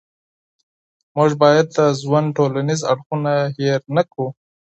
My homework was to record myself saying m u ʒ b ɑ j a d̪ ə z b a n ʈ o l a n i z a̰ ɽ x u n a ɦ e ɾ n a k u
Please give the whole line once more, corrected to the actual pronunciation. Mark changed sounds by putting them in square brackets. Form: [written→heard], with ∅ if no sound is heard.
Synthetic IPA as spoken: m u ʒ b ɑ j a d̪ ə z [b→w] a n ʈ o l a n i z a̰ ɽ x u n a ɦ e ɾ n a k u